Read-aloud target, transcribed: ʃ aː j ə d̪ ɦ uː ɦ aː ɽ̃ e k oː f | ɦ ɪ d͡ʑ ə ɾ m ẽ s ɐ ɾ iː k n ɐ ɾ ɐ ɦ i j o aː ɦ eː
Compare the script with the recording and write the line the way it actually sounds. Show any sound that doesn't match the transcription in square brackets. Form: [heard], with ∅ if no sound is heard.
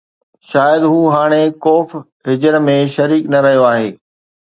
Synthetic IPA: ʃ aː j ə d̪ ɦ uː ɦ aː ɽ̃ e k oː f | ɦ ɪ d͡ʑ ə ɾ m ẽ [ʃ] ɐ ɾ iː k n ɐ ɾ ɐ ɦ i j o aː ɦ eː